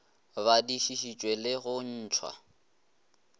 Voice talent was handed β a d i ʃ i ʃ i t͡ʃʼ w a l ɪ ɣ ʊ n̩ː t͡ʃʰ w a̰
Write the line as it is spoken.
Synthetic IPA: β a d i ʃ i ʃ i t͡ʃʼ w e l ɪ ɣ ʊ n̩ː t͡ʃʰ w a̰